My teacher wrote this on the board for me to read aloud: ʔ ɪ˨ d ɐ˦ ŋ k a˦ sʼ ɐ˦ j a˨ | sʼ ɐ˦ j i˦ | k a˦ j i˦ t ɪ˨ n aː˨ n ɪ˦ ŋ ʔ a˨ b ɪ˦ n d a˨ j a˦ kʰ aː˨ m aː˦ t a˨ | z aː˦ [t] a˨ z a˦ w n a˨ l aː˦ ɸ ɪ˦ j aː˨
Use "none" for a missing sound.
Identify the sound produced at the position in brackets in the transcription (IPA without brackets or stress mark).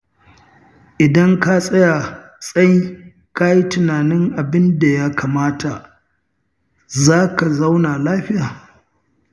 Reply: k